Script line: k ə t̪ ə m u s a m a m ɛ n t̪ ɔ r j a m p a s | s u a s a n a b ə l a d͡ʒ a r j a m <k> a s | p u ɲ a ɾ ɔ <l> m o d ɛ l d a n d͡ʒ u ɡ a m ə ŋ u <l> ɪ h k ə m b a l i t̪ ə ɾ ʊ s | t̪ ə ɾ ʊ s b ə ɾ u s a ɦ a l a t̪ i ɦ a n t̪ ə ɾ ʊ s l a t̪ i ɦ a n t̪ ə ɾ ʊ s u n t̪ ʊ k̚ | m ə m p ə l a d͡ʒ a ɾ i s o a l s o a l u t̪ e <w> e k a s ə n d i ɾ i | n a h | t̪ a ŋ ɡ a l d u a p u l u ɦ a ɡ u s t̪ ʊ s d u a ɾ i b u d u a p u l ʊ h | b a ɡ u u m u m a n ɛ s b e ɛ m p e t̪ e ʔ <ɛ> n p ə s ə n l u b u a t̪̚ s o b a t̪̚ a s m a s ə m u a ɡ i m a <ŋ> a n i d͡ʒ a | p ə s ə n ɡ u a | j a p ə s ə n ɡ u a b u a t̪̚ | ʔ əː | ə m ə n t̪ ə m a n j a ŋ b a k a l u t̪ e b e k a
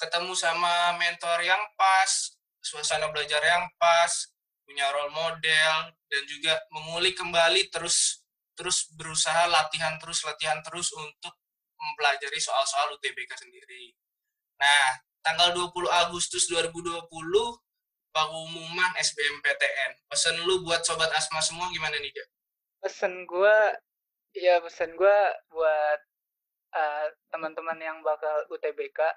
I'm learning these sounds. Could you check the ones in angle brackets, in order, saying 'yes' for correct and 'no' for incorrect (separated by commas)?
no, yes, yes, no, yes, no